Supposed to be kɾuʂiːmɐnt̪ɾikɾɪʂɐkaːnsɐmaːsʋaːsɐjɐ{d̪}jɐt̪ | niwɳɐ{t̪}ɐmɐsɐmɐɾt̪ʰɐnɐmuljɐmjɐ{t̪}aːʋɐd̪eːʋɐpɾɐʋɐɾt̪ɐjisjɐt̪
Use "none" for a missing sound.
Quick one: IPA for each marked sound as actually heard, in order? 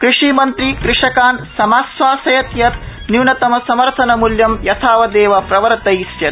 t̪, t̪, t̪ʰ

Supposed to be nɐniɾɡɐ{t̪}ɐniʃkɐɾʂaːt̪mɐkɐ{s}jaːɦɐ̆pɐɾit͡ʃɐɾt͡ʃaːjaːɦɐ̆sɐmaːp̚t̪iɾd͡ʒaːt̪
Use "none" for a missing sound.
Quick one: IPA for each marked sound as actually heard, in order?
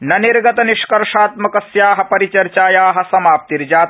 t̪, s

